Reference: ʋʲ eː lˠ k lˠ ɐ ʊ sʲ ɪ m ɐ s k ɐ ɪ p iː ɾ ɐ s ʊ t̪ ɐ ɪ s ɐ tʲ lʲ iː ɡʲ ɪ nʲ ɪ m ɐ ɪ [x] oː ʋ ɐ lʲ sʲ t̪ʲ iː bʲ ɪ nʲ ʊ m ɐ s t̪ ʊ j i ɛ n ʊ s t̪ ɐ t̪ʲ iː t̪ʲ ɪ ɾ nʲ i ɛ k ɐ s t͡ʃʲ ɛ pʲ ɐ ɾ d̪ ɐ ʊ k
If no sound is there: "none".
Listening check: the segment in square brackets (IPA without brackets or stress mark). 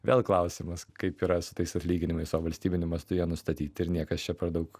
s